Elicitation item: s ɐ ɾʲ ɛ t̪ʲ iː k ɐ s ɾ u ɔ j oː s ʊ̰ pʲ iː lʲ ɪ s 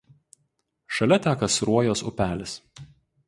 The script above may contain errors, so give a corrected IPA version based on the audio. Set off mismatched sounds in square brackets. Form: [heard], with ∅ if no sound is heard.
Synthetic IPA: [ʃ] ɐ [lʲ] ɛ t̪ʲ [æː] k ɐ s ɾ u ɔ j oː s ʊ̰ pʲ [æː] lʲ ɪ s